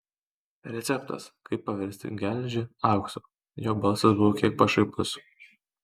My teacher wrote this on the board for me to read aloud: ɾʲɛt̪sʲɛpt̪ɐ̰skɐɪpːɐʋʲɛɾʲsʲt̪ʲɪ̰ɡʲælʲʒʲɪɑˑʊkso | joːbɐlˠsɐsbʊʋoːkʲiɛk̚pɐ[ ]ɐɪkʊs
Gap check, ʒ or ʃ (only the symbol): ʃ